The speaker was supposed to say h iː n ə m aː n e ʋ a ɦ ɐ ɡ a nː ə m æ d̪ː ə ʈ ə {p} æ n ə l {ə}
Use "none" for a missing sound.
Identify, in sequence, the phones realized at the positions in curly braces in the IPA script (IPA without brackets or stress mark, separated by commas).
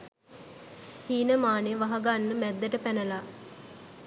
p, a